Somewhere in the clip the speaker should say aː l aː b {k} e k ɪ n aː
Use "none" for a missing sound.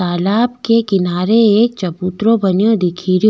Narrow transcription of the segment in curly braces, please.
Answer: k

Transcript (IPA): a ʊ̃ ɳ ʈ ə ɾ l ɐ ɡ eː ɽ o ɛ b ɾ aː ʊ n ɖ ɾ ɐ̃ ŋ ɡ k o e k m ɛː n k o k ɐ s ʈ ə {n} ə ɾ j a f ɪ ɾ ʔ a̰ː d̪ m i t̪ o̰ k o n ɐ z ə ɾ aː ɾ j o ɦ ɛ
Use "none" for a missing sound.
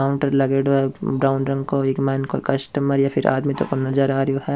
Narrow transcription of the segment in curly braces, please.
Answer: m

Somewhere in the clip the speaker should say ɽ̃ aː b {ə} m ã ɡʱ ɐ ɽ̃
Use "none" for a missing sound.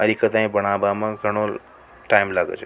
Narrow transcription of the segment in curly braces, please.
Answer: a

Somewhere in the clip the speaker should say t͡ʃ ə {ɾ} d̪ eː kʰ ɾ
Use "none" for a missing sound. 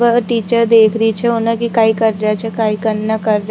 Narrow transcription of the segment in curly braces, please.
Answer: ɾ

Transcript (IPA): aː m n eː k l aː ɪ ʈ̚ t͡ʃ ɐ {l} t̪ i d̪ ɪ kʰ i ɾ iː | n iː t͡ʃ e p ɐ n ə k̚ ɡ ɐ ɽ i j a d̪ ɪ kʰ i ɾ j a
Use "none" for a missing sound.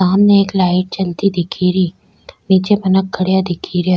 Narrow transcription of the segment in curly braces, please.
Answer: l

